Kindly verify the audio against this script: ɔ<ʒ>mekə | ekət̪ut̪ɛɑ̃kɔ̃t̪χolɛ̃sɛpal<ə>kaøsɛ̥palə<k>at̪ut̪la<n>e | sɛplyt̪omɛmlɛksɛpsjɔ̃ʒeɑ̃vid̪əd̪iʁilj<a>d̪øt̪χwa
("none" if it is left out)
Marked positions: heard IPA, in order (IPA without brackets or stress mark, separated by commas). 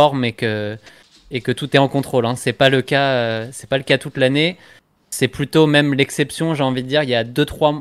ʁ, ə, k, n, a